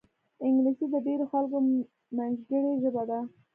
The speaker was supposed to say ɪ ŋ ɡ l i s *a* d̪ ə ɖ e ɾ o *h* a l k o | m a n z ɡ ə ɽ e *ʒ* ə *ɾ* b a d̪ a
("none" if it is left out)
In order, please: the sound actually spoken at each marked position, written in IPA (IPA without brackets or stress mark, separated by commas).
i, x, ʒ, none